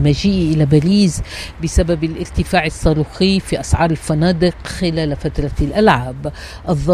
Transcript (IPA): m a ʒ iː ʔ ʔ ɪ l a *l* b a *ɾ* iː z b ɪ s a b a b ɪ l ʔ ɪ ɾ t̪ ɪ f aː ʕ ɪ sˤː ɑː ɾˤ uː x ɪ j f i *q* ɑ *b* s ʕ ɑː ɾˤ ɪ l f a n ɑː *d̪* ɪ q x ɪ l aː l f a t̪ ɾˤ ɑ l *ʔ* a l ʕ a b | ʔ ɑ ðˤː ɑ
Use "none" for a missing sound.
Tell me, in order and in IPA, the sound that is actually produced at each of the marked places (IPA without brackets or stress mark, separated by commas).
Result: none, ɾ, ʔ, none, d̪, ʔ